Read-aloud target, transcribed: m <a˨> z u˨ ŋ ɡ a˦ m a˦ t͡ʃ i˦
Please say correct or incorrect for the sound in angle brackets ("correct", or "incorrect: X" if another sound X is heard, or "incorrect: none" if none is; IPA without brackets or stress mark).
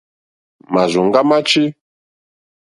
correct